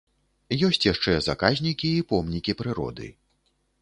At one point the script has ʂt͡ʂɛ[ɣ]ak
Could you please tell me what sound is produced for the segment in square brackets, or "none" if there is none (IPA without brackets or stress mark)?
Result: z